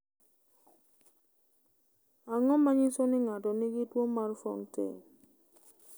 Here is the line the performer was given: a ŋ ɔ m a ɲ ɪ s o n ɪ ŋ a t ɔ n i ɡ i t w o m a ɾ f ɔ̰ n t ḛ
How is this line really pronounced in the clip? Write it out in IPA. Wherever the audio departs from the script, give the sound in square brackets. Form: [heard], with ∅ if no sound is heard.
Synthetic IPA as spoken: a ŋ ɔ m a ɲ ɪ s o n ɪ ŋ a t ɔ n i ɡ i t w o m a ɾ f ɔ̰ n t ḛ